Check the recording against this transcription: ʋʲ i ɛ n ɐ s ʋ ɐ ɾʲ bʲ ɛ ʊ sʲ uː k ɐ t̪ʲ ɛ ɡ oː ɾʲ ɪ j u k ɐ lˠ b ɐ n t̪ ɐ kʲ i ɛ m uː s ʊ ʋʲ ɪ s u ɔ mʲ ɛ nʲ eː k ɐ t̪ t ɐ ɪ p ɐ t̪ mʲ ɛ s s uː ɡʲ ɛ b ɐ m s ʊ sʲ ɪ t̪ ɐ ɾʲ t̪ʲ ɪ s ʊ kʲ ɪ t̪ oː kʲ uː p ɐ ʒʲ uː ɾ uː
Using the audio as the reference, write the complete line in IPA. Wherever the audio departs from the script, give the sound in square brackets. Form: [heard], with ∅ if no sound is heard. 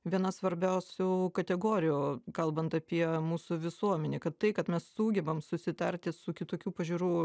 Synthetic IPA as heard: ʋʲ i ɛ n ɐ s ʋ ɐ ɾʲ bʲ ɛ ʊ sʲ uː k ɐ t̪ʲ ɛ ɡ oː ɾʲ ɪ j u k ɐ lˠ b ɐ n t̪ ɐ [pʲ] i ɛ m uː s ʊ ʋʲ ɪ s u ɔ mʲ ɛ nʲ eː k ɐ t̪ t ɐ ɪ [k] ɐ t̪ mʲ ɛ s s uː ɡʲ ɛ b ɐ m s ʊ sʲ ɪ t̪ ɐ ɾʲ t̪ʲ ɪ s ʊ kʲ ɪ t̪ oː kʲ uː p ɐ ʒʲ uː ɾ uː

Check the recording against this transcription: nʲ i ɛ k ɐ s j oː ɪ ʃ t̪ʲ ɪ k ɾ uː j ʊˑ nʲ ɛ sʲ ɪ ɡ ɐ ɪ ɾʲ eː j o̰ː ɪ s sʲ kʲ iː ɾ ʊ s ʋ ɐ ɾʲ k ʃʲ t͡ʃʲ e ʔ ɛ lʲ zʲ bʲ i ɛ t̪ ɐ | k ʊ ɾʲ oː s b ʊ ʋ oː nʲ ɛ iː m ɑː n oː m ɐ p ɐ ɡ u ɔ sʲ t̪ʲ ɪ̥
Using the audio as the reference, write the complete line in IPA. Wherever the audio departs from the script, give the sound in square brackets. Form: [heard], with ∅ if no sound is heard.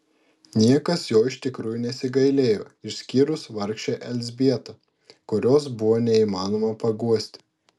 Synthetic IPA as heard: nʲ i ɛ k ɐ s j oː ɪ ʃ t̪ʲ ɪ k ɾ uː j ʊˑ nʲ ɛ sʲ ɪ ɡ ɐ ɪ [lʲ] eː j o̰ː ɪ [ʃ] sʲ kʲ iː ɾ ʊ s ʋ ɐ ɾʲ k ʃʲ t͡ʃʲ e ʔ ɛ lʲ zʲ bʲ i ɛ t̪ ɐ | k ʊ ɾʲ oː s b ʊ ʋ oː nʲ ɛ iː m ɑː n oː m ɐ p ɐ ɡ u ɔ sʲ t̪ʲ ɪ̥

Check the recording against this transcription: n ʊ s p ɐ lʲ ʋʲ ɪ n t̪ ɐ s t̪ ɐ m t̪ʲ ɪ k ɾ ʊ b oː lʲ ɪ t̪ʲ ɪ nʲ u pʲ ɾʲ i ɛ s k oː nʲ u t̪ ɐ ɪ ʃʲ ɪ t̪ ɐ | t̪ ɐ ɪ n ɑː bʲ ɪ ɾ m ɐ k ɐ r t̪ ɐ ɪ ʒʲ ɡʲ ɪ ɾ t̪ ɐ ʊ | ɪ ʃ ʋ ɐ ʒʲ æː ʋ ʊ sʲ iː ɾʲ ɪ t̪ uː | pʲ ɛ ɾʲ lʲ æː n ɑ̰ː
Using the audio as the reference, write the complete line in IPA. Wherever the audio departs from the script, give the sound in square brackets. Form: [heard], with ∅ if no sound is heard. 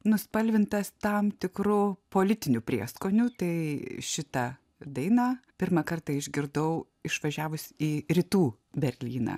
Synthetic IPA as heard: n ʊ s p ɐ lʲ ʋʲ ɪ n t̪ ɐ s t̪ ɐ m t̪ʲ ɪ k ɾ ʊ [p] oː lʲ ɪ t̪ʲ ɪ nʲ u pʲ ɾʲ i ɛ s k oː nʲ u t̪ ɐ ɪ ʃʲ ɪ t̪ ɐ | [d̪] ɐ ɪ n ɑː [pʲ] ɪ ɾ m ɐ k ɐ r t̪ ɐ ɪ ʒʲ ɡʲ ɪ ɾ [d̪] ɐ ʊ | ɪ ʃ ʋ ɐ ʒʲ æː ʋ ʊ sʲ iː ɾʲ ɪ t̪ uː | [bʲ] ɛ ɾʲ lʲ [iː] n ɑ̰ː

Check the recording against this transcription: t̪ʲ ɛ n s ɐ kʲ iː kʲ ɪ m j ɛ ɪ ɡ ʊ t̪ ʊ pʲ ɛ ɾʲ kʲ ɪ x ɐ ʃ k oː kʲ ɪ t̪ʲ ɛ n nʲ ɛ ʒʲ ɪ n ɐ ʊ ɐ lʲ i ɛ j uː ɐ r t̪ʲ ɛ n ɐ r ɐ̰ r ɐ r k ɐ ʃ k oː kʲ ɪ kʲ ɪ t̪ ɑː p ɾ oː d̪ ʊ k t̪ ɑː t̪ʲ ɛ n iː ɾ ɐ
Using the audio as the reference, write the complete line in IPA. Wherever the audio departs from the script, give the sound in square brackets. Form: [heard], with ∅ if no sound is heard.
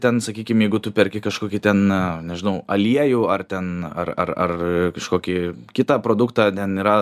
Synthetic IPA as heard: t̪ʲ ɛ n s ɐ kʲ iː kʲ ɪ m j ɛ ɪ ɡ ʊ t̪ ʊ pʲ ɛ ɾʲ kʲ ɪ [k] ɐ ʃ k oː kʲ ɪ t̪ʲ ɛ n nʲ ɛ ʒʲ ɪ n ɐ ʊ ɐ lʲ i ɛ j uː ɐ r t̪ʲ ɛ n ɐ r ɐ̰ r ɐ r k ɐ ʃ k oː kʲ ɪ kʲ ɪ t̪ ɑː p ɾ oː d̪ ʊ k t̪ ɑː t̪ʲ ɛ n iː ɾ ɐ

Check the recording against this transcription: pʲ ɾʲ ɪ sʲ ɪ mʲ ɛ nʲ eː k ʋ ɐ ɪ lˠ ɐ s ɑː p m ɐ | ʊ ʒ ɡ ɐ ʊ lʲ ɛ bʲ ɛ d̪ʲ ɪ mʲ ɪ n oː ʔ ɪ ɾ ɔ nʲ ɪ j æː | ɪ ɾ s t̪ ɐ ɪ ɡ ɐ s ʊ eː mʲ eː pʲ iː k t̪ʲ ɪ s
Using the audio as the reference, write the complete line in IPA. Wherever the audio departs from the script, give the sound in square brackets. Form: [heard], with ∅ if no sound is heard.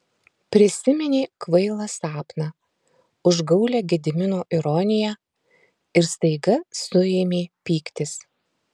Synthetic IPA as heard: pʲ ɾʲ ɪ sʲ ɪ mʲ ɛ nʲ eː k ʋ ɐ ɪ lˠ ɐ s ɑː p [n] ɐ | ʊ ʒ ɡ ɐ ʊ lʲ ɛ [ɡʲ] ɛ d̪ʲ ɪ mʲ ɪ n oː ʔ ɪ ɾ ɔ nʲ ɪ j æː | ɪ ɾ s t̪ ɐ ɪ ɡ ɐ s ʊ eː mʲ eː pʲ iː k t̪ʲ ɪ s

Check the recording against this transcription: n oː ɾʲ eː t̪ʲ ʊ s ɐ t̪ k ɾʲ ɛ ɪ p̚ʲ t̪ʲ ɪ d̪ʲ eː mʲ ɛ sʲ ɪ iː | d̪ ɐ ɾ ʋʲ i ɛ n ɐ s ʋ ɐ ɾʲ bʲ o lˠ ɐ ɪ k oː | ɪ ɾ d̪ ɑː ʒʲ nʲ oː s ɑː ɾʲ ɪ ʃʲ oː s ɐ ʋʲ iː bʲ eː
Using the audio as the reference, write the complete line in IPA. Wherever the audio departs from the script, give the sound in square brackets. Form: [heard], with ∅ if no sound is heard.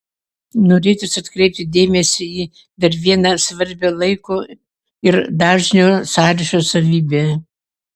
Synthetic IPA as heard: n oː ɾʲ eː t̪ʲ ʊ s ɐ t̪ k ɾʲ ɛ ɪ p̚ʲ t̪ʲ ɪ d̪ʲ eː mʲ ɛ sʲ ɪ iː | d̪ ɐ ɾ ʋʲ i ɛ n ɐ s ʋ ɐ ɾʲ bʲ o lˠ ɐ ɪ k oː | ɪ ɾ d̪ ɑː ʒʲ nʲ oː s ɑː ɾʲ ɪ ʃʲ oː s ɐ ʋʲ iː bʲ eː

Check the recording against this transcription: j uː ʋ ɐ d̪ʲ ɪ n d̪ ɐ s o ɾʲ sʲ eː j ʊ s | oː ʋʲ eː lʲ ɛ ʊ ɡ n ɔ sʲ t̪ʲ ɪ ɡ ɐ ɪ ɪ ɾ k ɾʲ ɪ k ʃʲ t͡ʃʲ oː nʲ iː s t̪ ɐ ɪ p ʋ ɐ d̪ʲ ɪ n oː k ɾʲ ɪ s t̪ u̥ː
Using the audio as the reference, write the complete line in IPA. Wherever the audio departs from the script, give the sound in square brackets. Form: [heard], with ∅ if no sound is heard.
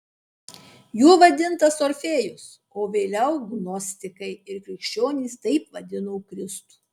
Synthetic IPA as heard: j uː ʋ ɐ d̪ʲ ɪ n [t̪] ɐ s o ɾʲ [fʲ] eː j ʊ s | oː ʋʲ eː lʲ ɛ ʊ ɡ n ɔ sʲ t̪ʲ ɪ [k] ɐ ɪ ɪ ɾ k ɾʲ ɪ k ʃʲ t͡ʃʲ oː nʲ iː s t̪ ɐ ɪ p ʋ ɐ d̪ʲ ɪ n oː k ɾʲ ɪ s t̪ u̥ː

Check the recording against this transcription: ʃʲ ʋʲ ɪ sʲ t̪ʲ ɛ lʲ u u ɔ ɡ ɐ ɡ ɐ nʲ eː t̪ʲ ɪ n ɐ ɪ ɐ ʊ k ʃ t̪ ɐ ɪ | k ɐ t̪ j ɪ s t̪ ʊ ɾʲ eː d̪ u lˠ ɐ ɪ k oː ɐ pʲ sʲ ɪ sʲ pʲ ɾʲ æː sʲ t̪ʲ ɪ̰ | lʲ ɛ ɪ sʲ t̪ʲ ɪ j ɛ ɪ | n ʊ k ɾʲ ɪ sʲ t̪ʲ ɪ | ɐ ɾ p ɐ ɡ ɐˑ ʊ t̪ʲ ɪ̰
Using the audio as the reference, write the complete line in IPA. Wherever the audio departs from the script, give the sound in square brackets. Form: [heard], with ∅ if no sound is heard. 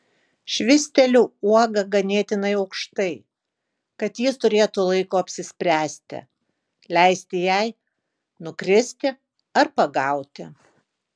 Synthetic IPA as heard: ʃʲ ʋʲ ɪ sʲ t̪ʲ ɛ lʲ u u ɔ ɡ ɐ ɡ ɐ nʲ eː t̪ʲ ɪ n ɐ ɪ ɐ ʊ k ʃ t̪ ɐ ɪ | k ɐ t̪ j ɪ s t̪ ʊ ɾʲ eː [t̪] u lˠ ɐ ɪ k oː ɐ pʲ sʲ ɪ sʲ pʲ ɾʲ æː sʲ t̪ʲ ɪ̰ | lʲ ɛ ɪ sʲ t̪ʲ ɪ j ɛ ɪ | n ʊ k ɾʲ ɪ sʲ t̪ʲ ɪ | ɐ ɾ p ɐ ɡ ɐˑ ʊ t̪ʲ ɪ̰

